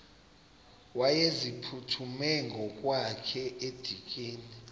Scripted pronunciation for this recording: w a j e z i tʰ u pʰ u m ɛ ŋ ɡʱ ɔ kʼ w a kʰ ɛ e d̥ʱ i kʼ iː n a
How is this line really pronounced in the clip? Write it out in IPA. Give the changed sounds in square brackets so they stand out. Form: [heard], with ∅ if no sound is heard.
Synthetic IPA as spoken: w a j e z i [pʰ] u [tʰ] u m ɛ ŋ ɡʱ ɔ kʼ w a kʰ ɛ e d̥ʱ i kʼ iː n [i]